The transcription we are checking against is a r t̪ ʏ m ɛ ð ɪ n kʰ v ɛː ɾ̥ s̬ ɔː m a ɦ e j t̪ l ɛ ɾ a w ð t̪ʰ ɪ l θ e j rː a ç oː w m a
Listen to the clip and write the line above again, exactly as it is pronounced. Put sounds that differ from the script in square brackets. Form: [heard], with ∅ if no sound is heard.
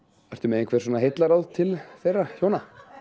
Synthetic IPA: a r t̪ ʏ m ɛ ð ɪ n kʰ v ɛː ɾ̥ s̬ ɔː [n] a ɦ e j t̪ l [a] ɾ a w ð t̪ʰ ɪ l θ e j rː a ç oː w [n] a

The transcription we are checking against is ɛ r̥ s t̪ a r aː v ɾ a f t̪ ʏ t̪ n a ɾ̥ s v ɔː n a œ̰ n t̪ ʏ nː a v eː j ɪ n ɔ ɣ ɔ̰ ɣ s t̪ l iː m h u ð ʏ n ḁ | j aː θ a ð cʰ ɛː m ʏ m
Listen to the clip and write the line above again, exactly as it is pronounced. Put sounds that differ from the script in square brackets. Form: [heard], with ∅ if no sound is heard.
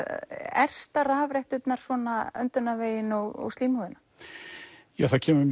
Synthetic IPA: ɛ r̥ s t̪ a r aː v ɾ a [h] t̪ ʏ t̪ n a ɾ̥ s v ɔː n a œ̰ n t̪ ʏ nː a v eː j ɪ n ɔ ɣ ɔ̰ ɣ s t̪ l iː m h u ð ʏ n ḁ | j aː θ a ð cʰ ɛː m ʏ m

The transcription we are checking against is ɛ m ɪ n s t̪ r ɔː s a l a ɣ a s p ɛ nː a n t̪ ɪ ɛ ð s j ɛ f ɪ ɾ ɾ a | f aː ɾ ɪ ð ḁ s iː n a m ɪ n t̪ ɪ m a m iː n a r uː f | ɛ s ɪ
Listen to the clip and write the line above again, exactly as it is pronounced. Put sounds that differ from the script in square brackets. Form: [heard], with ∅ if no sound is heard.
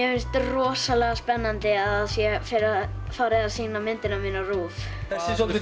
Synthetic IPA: ɛ m ɪ n s t̪ r ɔː s a l [ɛ] ɣ a s p ɛ nː a n t̪ ɪ [a] ð s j ɛ f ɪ ɾ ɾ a | f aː ɾ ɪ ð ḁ s iː n a m ɪ n t̪ ɪ [n] a m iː n a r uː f | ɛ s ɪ

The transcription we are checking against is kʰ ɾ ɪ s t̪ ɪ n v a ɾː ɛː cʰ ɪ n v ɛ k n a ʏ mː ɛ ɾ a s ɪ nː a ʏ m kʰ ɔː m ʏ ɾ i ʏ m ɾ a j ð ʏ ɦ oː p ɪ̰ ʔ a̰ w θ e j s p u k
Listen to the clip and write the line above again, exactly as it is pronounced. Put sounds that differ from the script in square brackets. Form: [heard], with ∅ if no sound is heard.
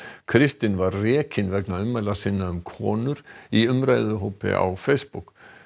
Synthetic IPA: kʰ ɾ ɪ s t̪ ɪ n v a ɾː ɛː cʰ ɪ n v ɛ k n a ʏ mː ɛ [l] a s ɪ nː a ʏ m kʰ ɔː [n] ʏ ɾ i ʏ m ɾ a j ð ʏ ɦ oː p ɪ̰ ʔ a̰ w [f] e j s p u k

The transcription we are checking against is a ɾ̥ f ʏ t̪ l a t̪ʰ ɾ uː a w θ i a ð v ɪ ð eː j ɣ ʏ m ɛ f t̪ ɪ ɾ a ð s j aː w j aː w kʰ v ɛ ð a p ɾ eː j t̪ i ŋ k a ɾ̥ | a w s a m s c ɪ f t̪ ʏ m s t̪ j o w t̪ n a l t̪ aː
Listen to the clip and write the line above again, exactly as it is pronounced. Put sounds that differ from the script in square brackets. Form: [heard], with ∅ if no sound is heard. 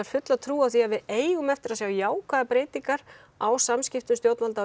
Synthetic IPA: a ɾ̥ f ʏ t̪ l a t̪ʰ ɾ uː a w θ i a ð v ɪ ð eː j ɣ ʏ m ɛ f t̪ ɪ ɾ a ð s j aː w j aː w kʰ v [a] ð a p ɾ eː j t̪ i ŋ k a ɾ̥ | a w s a m s c ɪ f t̪ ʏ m s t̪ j o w t̪ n a l t̪ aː

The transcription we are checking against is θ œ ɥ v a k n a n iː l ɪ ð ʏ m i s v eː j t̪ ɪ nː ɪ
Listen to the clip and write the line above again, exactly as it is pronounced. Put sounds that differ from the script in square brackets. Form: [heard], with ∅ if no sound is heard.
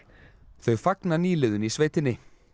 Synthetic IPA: θ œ ɥ [f] a k n a n iː l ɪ ð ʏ [n] i s v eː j t̪ ɪ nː ɪ

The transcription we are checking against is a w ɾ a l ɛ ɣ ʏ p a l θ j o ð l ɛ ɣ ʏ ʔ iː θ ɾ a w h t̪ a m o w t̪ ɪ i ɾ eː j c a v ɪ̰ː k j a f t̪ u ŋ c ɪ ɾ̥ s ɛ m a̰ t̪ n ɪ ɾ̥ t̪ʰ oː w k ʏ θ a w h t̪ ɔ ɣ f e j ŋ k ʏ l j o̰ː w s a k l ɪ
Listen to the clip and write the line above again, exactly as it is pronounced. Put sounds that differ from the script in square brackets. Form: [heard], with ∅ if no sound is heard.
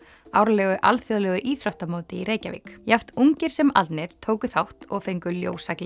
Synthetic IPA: a w ɾ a l ɛ ɣ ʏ [ʔ] a l θ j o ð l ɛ ɣ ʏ ʔ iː θ ɾ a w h t̪ a m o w t̪ ɪ i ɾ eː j c a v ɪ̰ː k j a f t̪ u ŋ c ɪ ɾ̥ s ɛ m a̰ t̪ n ɪ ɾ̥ t̪ʰ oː w k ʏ θ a w h t̪ ɔ ɣ f e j ŋ k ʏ l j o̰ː w s a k l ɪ

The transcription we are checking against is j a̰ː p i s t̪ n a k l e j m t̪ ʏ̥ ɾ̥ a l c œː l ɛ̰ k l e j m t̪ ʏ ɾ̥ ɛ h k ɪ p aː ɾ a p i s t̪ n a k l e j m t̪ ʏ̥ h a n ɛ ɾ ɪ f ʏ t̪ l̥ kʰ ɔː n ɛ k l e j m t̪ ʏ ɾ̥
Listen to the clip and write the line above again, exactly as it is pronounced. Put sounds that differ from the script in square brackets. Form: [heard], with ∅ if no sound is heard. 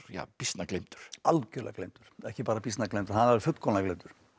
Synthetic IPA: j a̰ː p i s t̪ n a k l e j m t̪ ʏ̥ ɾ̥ a l c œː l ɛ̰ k l e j m t̪ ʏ ɾ̥ ɛ h [c] ɪ p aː ɾ a p i s t̪ n a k l e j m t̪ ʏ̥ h a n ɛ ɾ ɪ f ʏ t̪ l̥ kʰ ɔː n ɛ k l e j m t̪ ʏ ɾ̥

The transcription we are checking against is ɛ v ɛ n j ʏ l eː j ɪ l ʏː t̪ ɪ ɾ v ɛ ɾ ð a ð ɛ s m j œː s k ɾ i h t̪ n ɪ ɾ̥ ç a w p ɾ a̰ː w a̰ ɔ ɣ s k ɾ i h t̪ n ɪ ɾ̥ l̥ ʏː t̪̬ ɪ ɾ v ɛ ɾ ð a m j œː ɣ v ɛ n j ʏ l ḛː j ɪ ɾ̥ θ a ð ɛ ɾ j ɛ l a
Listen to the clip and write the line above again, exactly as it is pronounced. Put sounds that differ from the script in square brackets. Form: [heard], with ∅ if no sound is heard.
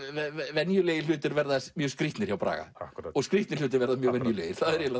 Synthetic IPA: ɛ v ɛ n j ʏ l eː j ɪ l ʏː t̪ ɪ ɾ v ɛ ɾ ð a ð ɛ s m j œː s k ɾ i h t̪ n ɪ ɾ̥ ç a w p ɾ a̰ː [ɣ] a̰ ɔ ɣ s k ɾ i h t̪ n ɪ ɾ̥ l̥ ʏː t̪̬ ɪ ɾ v ɛ ɾ ð a m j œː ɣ v ɛ n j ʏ l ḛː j ɪ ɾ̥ θ a ð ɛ ɾ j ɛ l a

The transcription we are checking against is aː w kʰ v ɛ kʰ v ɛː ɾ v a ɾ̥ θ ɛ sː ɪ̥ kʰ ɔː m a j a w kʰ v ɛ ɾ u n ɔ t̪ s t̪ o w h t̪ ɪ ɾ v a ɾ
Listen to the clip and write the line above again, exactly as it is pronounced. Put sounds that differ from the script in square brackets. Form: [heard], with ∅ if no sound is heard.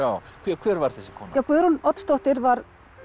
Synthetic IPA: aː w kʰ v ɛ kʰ v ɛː ɾ v a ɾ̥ θ ɛ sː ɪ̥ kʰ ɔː [n] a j a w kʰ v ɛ ɾ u n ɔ t̪ s t̪ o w h t̪ ɪ ɾ v a ɾ

